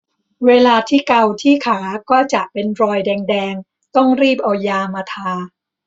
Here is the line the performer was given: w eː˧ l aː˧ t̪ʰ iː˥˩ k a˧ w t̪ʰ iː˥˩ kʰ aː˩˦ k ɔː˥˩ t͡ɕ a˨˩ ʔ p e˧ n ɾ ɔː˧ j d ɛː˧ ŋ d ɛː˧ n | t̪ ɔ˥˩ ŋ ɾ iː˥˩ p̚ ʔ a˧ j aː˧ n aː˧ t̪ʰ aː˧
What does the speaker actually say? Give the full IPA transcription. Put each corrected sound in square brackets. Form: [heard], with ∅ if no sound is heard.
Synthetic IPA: w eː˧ l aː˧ t̪ʰ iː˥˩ k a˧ w t̪ʰ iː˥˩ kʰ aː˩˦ k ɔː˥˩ t͡ɕ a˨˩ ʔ p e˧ n ɾ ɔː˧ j d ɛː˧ ŋ d ɛː˧ [ŋ] | t̪ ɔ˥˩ ŋ ɾ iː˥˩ p̚ ʔ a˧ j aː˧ [m] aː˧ t̪ʰ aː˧